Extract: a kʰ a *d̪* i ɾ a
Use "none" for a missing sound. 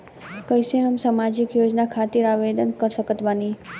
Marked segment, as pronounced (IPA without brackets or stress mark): t̪